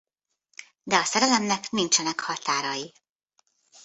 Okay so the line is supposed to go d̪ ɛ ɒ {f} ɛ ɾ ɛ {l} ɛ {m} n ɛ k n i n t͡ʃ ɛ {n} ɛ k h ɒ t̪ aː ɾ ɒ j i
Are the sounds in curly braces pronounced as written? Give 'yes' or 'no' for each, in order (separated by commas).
no, yes, yes, yes